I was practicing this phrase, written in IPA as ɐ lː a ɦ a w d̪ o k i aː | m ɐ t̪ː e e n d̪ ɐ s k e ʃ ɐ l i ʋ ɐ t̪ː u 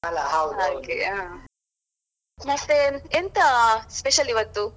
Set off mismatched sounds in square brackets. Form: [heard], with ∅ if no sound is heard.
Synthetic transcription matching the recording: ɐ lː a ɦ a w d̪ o k [e] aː | m ɐ t̪ː e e n [t̪] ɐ s [p] e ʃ ɐ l i ʋ ɐ t̪ː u